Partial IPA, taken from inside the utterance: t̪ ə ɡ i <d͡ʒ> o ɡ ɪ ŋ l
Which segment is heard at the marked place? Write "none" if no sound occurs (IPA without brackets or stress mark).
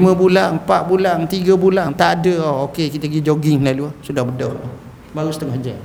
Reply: d͡ʒ